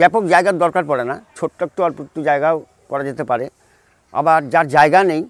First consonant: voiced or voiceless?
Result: voiced